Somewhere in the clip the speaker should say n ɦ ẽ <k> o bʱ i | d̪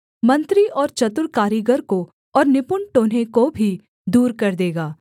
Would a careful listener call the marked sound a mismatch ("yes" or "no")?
no